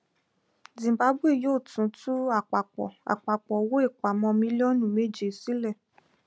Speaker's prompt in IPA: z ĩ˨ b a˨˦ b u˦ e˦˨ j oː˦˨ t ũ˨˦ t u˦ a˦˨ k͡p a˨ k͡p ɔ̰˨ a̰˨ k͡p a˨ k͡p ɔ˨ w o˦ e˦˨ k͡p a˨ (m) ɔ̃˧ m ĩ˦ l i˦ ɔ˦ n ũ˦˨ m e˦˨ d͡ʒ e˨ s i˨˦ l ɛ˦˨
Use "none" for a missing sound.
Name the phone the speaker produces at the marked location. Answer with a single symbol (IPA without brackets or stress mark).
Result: m